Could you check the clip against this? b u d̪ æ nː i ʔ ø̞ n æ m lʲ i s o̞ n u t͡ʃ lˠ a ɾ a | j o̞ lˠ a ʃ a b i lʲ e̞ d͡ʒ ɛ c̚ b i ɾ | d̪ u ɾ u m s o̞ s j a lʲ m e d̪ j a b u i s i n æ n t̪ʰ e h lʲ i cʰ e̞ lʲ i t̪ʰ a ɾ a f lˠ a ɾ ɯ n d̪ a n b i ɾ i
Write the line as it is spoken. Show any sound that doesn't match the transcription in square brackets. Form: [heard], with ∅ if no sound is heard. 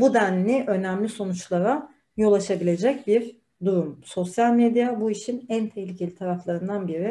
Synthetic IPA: b u d̪ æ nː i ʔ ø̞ n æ m lʲ i s o̞ n u t͡ʃ lˠ a ɾ a | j o̞ lˠ a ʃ a b i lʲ e̞ d͡ʒ ɛ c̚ b i ɾ | d̪ u ɾ u m s o̞ s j a lʲ m e d̪ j a b u i [ʃ] i n æ n t̪ʰ e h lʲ i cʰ e̞ lʲ i t̪ʰ a ɾ a f lˠ a ɾ ɯ n d̪ a n b i ɾ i